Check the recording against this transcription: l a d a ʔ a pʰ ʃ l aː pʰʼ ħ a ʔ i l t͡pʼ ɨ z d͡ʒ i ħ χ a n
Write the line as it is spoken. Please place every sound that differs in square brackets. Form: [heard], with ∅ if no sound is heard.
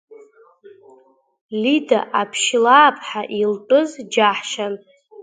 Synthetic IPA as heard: l [i] d a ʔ a pʰ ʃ l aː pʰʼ ħ a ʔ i l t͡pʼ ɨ z d͡ʒ [a] ħ [ʃ] a n